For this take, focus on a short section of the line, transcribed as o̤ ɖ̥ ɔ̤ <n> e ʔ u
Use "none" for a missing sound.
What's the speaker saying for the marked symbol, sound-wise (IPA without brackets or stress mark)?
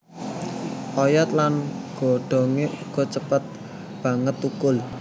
ŋ